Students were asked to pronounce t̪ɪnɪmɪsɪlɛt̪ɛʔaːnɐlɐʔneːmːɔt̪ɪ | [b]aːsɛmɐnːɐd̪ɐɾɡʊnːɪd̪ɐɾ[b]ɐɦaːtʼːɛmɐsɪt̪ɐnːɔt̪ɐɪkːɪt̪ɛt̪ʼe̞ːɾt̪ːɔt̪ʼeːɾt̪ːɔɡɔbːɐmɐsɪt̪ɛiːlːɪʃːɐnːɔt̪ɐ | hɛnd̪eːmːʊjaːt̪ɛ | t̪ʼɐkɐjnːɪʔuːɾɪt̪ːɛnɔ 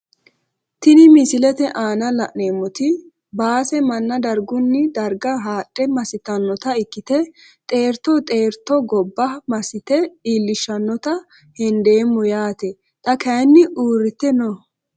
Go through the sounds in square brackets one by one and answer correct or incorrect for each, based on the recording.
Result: correct, incorrect: ɡ

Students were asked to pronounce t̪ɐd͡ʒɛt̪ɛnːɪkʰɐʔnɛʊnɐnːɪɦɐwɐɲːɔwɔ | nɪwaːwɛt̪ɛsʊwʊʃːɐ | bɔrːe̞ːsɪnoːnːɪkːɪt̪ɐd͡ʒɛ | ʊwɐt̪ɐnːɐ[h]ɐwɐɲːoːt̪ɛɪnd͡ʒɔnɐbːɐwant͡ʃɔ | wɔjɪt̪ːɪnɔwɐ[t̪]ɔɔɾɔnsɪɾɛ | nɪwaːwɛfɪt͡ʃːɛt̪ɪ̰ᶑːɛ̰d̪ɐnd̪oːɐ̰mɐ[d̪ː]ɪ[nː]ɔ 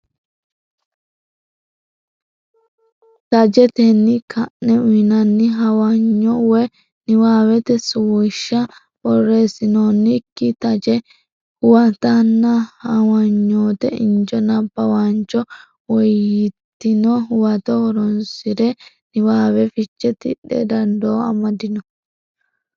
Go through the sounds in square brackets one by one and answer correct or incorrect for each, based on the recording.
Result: correct, correct, incorrect: d̪, incorrect: n

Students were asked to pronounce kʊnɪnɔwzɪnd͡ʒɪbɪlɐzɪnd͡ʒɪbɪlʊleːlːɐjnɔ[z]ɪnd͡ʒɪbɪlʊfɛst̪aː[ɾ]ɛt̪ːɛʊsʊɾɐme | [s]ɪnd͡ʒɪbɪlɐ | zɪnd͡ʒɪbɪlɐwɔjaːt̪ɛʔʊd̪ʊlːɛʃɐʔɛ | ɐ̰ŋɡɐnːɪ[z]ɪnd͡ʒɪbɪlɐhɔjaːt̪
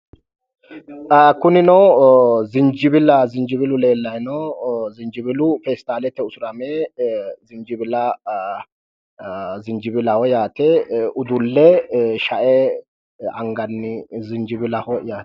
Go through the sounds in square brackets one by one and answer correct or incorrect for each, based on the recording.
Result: correct, incorrect: l, incorrect: z, correct

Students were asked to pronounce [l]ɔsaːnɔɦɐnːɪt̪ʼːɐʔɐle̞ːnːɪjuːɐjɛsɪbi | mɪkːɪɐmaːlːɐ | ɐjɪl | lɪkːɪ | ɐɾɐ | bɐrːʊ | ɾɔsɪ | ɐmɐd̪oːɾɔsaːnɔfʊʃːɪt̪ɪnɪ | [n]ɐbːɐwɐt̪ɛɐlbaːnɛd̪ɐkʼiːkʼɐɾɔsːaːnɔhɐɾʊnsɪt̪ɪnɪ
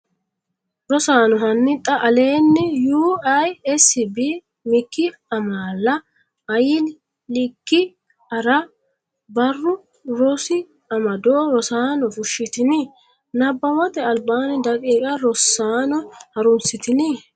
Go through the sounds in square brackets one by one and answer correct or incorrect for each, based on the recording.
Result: incorrect: ɾ, correct

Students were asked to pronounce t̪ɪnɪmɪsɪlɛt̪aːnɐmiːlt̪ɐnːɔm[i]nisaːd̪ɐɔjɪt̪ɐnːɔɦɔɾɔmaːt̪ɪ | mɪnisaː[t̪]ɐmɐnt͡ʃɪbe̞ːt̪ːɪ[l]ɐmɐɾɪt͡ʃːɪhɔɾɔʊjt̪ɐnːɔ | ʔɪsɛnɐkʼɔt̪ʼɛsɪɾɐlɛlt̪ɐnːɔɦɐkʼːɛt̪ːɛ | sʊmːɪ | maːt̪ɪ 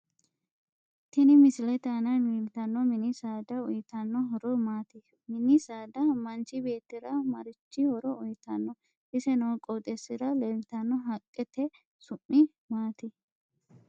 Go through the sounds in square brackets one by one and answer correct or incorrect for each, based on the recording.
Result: incorrect: ɪ, incorrect: d̪, incorrect: ɾ

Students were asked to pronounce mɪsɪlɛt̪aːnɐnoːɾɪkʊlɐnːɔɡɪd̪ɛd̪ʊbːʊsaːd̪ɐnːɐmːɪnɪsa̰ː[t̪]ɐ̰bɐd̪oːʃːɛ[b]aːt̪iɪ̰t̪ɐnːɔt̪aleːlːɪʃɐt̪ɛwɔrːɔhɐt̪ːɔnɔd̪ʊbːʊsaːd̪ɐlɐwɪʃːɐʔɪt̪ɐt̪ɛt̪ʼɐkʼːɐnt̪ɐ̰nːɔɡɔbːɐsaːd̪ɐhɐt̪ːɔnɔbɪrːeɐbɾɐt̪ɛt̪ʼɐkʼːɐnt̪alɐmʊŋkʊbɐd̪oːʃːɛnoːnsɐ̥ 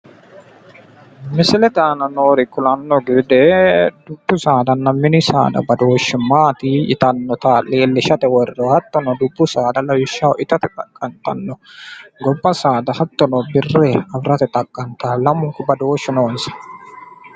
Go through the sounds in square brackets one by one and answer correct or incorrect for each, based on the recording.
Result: incorrect: d̪, incorrect: m

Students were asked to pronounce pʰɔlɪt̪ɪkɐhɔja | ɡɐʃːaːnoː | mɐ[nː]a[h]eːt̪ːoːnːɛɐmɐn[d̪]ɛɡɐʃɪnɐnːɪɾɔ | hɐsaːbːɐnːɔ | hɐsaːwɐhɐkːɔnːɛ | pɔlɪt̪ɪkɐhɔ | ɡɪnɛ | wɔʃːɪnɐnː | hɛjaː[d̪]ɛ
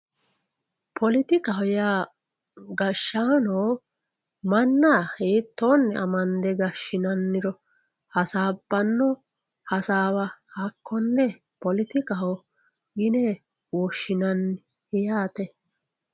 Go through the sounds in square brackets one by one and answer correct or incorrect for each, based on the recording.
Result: correct, correct, correct, incorrect: t̪

